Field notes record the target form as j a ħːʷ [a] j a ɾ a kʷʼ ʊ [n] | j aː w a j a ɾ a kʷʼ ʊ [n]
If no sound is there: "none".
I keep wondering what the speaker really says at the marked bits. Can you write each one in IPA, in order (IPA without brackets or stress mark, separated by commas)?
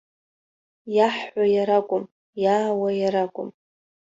a, m, m